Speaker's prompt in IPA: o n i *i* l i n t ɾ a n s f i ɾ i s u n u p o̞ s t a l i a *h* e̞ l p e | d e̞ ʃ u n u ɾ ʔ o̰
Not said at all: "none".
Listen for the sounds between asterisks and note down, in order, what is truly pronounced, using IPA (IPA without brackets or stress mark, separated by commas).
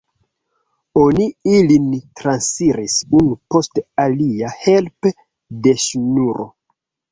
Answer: i, h